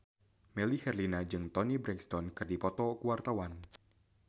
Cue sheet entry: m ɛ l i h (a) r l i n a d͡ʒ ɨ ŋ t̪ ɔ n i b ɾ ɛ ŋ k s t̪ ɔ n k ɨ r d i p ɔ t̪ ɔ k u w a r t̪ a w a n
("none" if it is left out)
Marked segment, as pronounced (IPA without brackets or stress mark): ɛ